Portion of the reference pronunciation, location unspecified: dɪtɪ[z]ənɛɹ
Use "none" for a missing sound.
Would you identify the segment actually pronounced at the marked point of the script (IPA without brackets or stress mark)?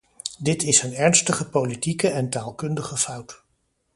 s